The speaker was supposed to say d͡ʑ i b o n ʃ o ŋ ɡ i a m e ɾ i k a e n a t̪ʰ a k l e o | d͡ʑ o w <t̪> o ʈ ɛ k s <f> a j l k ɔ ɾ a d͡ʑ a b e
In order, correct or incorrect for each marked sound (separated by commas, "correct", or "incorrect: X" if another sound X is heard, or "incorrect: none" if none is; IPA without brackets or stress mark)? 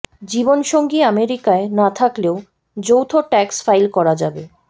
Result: incorrect: t̪ʰ, correct